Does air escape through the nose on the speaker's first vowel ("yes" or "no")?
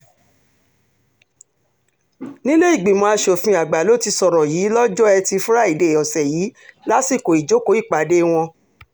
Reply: yes